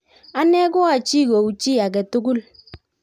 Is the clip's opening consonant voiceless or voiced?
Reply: voiced